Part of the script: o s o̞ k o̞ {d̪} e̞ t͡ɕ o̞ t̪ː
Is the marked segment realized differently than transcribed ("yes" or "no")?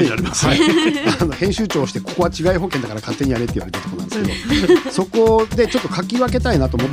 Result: no